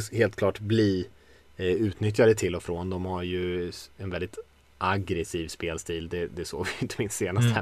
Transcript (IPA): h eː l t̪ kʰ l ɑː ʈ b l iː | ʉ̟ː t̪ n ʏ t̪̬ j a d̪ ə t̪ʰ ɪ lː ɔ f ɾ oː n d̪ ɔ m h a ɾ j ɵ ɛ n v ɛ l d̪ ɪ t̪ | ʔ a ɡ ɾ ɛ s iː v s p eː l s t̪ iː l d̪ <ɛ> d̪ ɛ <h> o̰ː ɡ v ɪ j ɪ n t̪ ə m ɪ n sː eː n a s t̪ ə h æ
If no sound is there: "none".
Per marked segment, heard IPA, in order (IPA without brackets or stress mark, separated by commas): ɛ, s